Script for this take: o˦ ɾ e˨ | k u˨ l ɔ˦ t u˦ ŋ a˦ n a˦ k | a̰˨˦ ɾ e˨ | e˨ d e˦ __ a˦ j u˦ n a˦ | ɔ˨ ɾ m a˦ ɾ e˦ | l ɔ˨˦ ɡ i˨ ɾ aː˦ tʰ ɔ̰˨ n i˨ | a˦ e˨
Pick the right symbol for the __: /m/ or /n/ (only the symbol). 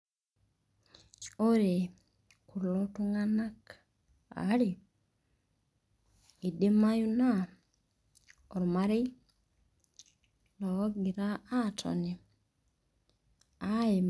m